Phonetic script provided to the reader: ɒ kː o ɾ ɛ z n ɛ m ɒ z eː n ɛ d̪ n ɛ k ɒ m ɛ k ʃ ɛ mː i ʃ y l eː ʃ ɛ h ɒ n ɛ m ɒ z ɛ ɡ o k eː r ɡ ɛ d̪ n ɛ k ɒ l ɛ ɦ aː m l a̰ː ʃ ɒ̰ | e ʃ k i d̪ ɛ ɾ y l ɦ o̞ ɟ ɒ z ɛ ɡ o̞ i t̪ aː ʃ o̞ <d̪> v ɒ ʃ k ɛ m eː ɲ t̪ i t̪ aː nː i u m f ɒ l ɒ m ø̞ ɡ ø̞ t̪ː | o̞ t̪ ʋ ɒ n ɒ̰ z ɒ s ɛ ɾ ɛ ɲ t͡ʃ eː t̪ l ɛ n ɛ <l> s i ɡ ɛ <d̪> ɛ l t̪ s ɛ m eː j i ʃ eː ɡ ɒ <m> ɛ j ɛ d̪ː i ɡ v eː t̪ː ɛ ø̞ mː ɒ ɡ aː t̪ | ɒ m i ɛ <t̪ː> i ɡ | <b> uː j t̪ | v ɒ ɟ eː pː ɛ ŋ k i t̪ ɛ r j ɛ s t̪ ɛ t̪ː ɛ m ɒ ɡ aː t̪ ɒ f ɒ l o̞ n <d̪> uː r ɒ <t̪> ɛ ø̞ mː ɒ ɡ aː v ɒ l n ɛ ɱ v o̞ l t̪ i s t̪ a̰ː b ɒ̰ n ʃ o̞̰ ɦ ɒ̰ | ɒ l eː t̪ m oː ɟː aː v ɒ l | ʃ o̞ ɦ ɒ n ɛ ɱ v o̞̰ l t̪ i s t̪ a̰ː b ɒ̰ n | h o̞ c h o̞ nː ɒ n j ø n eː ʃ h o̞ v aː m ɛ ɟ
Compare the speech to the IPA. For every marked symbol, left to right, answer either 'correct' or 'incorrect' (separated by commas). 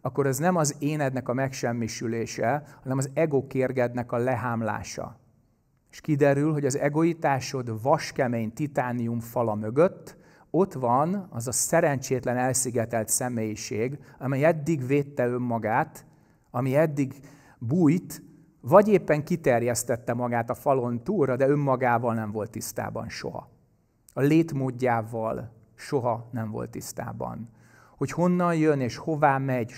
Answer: correct, correct, incorrect, correct, incorrect, correct, incorrect, incorrect